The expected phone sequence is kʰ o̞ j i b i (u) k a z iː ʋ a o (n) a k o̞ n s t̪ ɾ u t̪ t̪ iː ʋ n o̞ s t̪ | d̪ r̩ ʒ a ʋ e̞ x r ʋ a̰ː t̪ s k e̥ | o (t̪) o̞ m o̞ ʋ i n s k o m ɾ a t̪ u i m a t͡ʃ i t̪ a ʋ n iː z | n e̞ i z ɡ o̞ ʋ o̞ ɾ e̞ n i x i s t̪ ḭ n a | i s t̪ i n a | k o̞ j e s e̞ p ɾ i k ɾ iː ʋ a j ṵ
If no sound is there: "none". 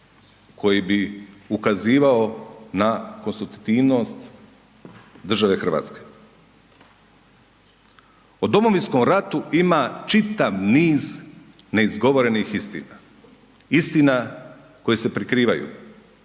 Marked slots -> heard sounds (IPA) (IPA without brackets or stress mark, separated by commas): u, n, d̪